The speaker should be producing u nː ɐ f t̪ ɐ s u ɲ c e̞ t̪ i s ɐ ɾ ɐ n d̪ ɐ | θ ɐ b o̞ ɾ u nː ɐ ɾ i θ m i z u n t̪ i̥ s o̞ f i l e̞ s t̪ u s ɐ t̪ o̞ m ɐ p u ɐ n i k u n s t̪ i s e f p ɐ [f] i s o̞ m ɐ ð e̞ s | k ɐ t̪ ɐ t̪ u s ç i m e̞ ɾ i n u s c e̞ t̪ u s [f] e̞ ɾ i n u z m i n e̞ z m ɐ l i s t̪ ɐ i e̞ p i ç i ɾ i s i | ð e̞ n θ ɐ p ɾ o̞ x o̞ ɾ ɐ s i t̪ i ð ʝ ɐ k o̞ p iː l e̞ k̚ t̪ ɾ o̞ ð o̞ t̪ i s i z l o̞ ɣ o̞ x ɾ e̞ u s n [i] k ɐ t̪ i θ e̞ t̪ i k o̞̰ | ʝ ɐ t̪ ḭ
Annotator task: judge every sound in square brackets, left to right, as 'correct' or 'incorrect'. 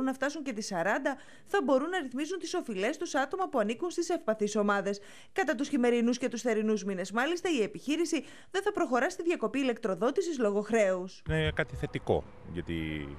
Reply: incorrect: θ, incorrect: θ, incorrect: e

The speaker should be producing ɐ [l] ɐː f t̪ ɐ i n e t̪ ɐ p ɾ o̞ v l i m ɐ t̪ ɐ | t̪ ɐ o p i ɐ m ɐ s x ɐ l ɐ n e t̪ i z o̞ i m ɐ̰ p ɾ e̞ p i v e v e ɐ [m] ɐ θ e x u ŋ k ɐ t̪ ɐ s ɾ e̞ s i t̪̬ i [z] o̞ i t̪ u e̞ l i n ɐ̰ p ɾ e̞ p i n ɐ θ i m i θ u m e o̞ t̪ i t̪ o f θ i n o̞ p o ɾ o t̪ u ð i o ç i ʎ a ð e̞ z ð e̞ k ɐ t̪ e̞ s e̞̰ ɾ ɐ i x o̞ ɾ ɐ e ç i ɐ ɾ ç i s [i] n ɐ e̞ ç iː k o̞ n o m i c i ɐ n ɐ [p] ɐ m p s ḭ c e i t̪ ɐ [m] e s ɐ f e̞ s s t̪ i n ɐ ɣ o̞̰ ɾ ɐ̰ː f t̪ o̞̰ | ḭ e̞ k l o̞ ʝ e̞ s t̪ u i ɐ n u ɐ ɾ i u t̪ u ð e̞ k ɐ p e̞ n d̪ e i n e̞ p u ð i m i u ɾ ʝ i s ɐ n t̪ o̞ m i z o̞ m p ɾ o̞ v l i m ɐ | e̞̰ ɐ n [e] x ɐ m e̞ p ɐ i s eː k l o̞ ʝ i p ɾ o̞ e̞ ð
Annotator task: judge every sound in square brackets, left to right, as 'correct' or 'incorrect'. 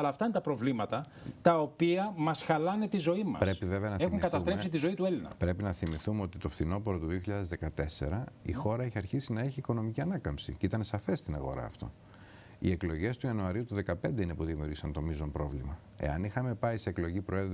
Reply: correct, incorrect: n, correct, correct, incorrect: k, incorrect: n, incorrect: i

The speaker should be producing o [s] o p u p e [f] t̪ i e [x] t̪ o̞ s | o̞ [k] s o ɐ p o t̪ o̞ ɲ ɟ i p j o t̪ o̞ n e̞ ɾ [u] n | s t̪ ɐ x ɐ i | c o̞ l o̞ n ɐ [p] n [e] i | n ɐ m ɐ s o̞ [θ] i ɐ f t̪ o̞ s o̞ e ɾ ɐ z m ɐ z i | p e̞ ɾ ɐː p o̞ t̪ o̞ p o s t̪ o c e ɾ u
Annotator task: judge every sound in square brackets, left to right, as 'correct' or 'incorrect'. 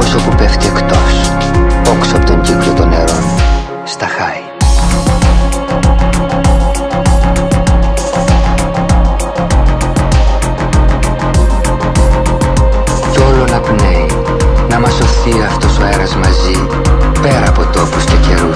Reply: correct, correct, incorrect: k, correct, incorrect: o, correct, correct, correct

